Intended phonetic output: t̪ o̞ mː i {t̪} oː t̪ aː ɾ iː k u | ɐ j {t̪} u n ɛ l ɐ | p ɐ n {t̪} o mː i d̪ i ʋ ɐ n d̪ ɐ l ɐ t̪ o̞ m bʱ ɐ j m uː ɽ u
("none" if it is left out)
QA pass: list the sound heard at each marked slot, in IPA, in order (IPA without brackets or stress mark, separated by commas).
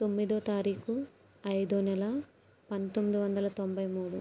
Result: d̪, d̪, t̪